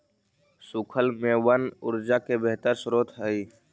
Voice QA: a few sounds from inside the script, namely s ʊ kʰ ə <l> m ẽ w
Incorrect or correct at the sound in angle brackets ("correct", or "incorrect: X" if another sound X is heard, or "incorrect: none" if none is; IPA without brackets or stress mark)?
correct